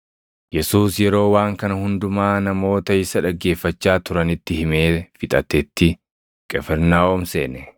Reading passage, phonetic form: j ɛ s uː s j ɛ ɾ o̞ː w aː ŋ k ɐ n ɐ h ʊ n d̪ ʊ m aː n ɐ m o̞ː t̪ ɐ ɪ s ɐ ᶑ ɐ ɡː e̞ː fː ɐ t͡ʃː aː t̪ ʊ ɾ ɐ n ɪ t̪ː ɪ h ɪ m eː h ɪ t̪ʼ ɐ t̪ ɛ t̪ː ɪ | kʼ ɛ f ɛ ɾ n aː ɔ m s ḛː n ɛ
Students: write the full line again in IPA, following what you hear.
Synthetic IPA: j ɛ s uː s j ɛ ɾ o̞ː w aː ŋ k ɐ n ɐ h ʊ n d̪ ʊ m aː n ɐ m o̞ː t̪ ɐ ɪ s ɐ ᶑ ɐ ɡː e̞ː fː ɐ t͡ʃː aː t̪ ʊ ɾ ɐ n ɪ t̪ː ɪ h ɪ m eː f ɪ t̪ʼ ɐ t̪ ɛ t̪ː ɪ | kʼ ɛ f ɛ ɾ n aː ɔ m s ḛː n ɛ

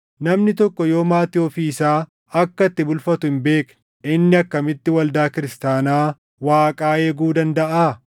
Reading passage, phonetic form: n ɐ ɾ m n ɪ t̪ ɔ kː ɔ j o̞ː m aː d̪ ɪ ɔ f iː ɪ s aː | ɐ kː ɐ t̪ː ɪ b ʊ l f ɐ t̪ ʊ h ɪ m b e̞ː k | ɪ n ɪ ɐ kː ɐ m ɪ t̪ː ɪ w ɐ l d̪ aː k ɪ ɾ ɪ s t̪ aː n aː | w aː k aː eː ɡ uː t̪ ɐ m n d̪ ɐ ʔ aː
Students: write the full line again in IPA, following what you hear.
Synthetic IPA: n ɐ m n ɪ t̪ ɔ kː ɔ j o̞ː m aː t̪ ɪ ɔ f iː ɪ s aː | ɐ kː ɐ t̪ː ɪ b ʊ l f ɐ t̪ ʊ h ɪ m b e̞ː k | ɪ nː ɪ ɐ kː ɐ m ɪ t̪ː ɪ w ɐ l d̪ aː k ɪ ɾ ɪ s t̪ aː n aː | w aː kʼ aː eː ɡ uː d̪ ɐ n d̪ ɐ ʔ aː

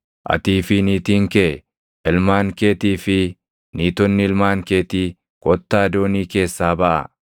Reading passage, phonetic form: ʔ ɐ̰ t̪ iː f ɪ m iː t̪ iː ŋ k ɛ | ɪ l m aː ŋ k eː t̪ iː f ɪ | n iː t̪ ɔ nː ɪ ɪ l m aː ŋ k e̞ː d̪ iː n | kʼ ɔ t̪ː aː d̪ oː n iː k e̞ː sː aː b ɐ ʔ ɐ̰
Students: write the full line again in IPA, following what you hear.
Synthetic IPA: ʔ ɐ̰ t̪ iː f ɪ n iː t̪ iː ŋ k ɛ | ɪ l m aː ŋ k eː t̪ iː f ɪ | n iː t̪ ɔ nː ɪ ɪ l m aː ŋ k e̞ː t̪ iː | kʼ ɔ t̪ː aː d̪ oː n iː k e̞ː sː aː b ɐ ʔ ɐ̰

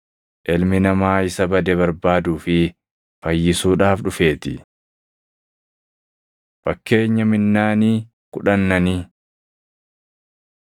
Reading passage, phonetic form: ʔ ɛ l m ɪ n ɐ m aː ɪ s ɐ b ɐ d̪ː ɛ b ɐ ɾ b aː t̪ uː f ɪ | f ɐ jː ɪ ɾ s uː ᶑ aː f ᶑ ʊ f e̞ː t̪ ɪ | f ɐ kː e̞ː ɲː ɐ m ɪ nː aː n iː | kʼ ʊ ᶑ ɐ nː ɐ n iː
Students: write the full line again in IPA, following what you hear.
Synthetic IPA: ʔ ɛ l m ɪ n ɐ m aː ɪ s ɐ b ɐ d̪ ɛ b ɐ ɾ b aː d̪ uː f ɪ | f ɐ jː ɪ s uː ᶑ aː f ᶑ ʊ f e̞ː t̪ ɪ | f ɐ kː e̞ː ɲː ɐ m ɪ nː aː n iː | k ʊ ᶑ ɐ nː ɐ n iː

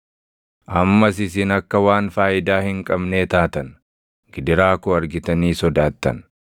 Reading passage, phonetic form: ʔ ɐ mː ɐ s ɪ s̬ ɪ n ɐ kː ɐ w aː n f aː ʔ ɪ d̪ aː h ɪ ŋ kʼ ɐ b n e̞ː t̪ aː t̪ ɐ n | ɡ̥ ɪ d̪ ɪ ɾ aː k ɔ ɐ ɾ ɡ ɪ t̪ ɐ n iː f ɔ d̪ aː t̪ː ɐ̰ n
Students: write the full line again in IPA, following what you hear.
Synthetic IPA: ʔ ɐ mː ɐ s ɪ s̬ ɪ n ɐ kː ɐ w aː n f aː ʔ ɪ d̪ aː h ɪ ŋ kʼ ɐ b n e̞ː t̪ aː t̪ ɐ n | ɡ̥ ɪ d̪ ɪ ɾ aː k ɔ ɐ ɾ ɡ ɪ t̪ ɐ n iː s ɔ d̪ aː t̪ː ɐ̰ n

